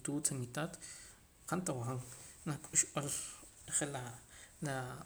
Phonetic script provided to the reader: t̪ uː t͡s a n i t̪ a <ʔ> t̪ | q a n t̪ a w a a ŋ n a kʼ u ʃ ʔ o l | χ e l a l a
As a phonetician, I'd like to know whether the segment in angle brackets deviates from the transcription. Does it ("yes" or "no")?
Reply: yes